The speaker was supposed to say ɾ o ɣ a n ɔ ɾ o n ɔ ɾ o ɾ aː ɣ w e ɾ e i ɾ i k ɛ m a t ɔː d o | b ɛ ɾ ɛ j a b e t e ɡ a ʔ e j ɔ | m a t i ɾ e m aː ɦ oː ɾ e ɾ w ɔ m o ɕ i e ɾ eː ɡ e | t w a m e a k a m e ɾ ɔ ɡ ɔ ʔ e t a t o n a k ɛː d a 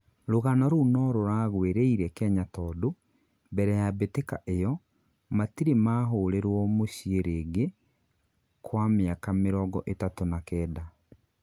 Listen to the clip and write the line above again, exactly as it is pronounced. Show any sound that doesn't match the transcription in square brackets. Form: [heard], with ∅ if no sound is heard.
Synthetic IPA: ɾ o ɣ a n ɔ ɾ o n ɔ ɾ o ɾ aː ɣ w e ɾ e i ɾ [ɛ] k ɛ [ɲ] a t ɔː d o | b ɛ ɾ ɛ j a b e t e [k] a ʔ e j ɔ | m a t i ɾ e m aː ɦ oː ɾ e ɾ w ɔ m o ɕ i e ɾ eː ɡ e | [k] w a m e a k a m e ɾ ɔ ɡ ɔ ʔ e t a t o n a k ɛː d a